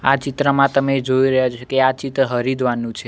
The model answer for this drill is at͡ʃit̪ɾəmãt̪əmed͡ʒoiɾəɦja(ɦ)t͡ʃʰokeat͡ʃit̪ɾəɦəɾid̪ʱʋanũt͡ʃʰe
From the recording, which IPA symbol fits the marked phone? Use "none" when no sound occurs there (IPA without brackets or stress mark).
none